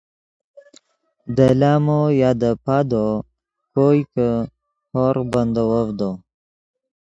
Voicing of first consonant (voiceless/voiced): voiced